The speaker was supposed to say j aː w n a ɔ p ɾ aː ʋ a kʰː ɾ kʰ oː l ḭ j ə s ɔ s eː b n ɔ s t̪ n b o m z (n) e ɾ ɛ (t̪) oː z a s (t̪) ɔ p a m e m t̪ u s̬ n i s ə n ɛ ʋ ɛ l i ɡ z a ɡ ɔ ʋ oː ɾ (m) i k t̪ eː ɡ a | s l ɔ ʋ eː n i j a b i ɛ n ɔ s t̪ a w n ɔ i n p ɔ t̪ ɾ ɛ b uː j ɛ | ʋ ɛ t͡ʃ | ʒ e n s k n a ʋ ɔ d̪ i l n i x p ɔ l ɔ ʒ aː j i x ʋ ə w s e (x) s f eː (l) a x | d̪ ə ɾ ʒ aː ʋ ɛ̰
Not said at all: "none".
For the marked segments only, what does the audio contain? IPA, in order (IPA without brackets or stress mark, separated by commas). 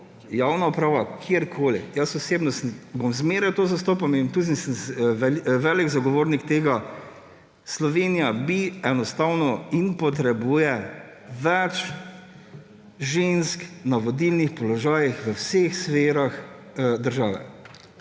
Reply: m, t̪, t̪, n, x, ɾ